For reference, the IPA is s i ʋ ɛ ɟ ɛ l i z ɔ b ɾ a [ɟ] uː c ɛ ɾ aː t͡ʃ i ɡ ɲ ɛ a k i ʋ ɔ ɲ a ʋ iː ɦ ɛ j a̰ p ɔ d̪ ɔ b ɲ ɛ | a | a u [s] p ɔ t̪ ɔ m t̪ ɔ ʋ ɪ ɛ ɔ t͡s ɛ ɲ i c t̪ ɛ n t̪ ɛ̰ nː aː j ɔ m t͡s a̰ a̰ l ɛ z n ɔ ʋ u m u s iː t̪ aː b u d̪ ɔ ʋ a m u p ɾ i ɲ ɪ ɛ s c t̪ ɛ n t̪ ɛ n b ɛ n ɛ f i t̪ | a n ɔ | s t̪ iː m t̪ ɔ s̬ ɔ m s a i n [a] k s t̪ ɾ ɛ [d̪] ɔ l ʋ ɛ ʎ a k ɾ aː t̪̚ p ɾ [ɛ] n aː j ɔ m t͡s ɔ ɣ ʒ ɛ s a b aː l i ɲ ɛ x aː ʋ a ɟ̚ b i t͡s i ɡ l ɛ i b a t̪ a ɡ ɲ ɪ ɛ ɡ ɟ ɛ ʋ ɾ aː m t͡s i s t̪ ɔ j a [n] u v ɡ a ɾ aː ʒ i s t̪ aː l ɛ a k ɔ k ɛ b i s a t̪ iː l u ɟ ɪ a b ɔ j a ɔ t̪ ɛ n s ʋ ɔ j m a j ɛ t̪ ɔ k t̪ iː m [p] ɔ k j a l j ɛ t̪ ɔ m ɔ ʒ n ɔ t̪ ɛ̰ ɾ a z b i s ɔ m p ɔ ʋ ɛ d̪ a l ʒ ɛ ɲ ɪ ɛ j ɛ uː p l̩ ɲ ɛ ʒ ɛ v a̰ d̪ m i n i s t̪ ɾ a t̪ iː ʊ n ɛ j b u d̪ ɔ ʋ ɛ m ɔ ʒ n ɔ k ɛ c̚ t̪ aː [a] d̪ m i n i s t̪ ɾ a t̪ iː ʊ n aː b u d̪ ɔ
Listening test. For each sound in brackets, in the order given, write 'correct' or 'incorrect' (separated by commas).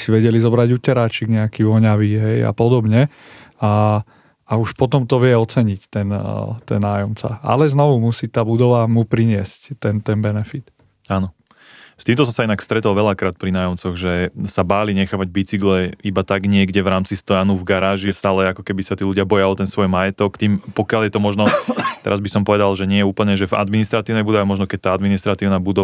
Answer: correct, incorrect, correct, incorrect, incorrect, correct, correct, correct